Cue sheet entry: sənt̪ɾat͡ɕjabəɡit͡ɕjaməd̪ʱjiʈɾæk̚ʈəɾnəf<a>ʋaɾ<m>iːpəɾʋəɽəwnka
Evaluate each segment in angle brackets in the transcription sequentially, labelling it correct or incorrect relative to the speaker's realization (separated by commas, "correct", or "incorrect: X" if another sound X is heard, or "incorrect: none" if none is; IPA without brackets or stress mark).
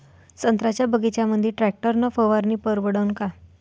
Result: incorrect: ə, incorrect: n